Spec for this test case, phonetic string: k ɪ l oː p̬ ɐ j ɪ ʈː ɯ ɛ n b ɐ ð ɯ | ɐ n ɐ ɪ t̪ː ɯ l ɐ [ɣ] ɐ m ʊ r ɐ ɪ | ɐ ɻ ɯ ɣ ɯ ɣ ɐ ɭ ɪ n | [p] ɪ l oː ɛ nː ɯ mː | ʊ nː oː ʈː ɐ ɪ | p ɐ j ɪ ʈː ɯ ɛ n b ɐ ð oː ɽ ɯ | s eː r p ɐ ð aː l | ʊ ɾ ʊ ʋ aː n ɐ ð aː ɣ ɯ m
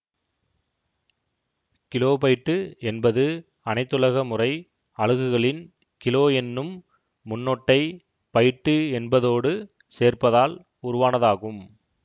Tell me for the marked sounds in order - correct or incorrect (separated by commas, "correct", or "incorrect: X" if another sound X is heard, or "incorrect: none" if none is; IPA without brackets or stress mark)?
correct, incorrect: k